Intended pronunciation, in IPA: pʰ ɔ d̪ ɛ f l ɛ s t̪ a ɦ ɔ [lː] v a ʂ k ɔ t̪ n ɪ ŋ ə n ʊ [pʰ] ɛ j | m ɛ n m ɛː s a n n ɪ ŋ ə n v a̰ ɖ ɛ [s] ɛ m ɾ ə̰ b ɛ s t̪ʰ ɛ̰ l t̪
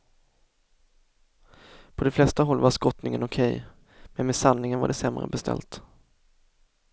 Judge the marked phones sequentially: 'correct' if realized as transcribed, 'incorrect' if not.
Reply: correct, incorrect: kʰ, correct

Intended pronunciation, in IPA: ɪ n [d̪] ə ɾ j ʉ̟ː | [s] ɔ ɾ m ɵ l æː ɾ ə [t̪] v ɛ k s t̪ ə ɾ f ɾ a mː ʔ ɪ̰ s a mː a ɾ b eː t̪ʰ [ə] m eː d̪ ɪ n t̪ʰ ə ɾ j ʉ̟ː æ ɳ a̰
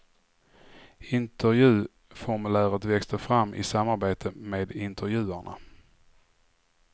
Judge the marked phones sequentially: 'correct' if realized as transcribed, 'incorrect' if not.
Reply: incorrect: t̪, incorrect: f, correct, correct

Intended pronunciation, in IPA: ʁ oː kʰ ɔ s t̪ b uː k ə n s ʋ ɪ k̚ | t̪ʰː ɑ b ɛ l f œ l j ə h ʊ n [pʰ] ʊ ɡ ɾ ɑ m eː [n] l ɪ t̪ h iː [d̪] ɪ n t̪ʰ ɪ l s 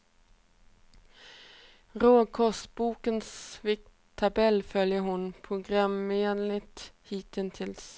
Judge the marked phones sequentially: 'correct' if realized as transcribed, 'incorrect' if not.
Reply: correct, correct, incorrect: t̪

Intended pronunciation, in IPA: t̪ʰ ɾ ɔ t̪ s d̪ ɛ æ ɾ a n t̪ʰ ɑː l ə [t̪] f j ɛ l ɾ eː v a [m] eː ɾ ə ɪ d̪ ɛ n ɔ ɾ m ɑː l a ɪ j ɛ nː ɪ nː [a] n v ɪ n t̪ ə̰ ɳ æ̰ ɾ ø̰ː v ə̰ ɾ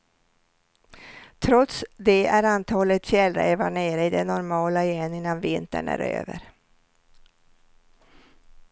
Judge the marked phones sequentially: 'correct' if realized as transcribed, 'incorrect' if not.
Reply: correct, incorrect: ɳ, correct

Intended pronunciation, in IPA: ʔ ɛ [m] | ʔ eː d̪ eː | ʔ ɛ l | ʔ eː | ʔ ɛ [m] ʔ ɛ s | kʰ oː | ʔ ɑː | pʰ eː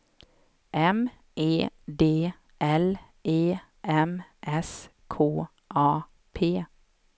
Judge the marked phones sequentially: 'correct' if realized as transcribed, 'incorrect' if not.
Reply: correct, correct

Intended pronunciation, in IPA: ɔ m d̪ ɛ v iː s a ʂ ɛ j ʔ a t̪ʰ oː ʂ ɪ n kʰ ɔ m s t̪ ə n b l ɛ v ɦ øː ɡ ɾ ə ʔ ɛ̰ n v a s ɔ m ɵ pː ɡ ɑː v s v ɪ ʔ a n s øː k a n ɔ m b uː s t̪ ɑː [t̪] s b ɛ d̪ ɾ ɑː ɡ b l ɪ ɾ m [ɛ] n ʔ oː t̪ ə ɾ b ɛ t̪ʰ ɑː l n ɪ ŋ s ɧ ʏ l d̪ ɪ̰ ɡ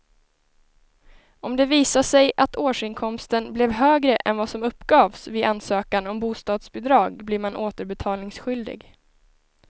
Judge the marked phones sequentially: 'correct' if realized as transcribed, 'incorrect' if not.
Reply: incorrect: d̪, incorrect: a

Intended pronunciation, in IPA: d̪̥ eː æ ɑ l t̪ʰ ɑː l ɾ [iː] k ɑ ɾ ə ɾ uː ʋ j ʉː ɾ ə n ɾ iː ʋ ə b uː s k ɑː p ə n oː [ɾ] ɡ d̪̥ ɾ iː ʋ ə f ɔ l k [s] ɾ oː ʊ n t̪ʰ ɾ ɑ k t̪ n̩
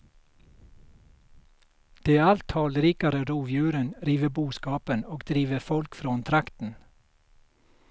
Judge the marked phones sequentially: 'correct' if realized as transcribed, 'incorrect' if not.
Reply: correct, incorrect: none, incorrect: f

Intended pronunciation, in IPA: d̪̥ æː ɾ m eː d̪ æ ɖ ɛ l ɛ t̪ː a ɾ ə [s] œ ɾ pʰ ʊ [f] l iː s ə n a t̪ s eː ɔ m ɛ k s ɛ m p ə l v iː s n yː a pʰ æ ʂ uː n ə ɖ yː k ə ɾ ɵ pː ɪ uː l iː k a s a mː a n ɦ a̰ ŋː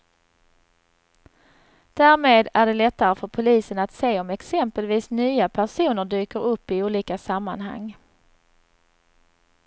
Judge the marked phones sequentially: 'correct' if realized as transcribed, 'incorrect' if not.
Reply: incorrect: f, incorrect: none

